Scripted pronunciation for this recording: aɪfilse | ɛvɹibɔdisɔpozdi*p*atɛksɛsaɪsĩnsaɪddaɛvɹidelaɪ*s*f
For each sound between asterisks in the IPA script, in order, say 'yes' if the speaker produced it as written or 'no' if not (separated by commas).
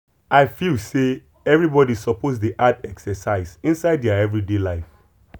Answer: no, no